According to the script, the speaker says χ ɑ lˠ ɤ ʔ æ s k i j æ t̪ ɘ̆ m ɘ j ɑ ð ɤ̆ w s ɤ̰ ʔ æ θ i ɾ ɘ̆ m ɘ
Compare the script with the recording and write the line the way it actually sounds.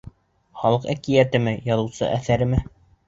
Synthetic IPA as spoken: χ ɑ lˠ ɤ q æ k i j æ t̪ ɘ̆ m ɘ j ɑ ð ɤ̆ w s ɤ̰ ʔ æ θ æ ɾ ɘ̆ m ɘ